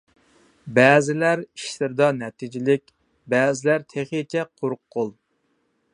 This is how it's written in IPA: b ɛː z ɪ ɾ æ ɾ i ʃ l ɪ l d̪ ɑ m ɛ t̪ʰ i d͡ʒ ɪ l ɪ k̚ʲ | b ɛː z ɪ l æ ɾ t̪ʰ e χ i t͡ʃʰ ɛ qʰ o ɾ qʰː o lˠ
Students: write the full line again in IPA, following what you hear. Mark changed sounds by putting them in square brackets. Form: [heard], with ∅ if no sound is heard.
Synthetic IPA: b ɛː z ɪ [l] æ ɾ i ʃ l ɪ [ɾ] d̪ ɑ [n] ɛ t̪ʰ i d͡ʒ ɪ l ɪ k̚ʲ | b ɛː z ɪ l æ ɾ t̪ʰ e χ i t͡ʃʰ ɛ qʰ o ɾ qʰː o lˠ